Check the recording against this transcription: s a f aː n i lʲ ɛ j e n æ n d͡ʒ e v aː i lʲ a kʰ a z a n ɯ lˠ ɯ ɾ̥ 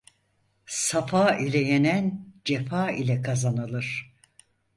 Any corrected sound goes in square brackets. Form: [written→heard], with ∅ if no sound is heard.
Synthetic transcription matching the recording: s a f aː [n→∅] i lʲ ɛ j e n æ n d͡ʒ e [v→f] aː i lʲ [a→ɛ] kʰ a z a n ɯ lˠ ɯ ɾ̥